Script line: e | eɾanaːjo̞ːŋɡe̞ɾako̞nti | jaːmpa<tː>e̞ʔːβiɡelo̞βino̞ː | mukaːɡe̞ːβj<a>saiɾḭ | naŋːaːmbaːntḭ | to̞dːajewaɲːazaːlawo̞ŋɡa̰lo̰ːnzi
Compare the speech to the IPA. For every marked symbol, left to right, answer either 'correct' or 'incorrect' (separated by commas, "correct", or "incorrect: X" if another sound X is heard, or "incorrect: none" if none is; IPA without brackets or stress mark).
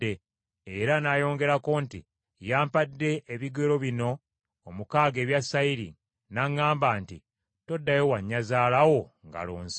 incorrect: dː, correct